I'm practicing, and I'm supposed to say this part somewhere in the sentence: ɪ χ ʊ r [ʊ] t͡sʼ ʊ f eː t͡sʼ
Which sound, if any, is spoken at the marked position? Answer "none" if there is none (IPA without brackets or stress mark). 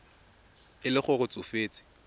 ʊ